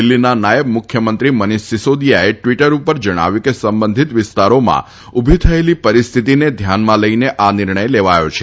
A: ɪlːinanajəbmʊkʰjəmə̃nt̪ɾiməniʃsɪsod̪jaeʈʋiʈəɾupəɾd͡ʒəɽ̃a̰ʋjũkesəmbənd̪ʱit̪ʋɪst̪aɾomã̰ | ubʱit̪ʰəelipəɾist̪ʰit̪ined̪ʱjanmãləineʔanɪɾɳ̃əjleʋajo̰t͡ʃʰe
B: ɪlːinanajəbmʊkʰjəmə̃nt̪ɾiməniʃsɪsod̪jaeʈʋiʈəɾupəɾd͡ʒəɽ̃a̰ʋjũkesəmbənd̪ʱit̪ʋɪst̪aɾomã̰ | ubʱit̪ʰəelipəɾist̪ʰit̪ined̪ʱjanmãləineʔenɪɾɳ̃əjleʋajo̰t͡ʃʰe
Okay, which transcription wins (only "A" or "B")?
A